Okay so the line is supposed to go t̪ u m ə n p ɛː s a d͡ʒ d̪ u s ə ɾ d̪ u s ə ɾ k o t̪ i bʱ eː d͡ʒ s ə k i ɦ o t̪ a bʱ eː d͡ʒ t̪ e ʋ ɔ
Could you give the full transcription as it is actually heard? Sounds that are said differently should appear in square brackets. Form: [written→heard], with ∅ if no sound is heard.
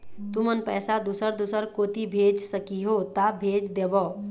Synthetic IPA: t̪ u m ə n p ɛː s a [d͡ʒ→∅] d̪ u s ə ɾ d̪ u s ə ɾ k o t̪ i bʱ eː d͡ʒ s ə k i ɦ o t̪ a bʱ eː d͡ʒ [t̪→d̪] e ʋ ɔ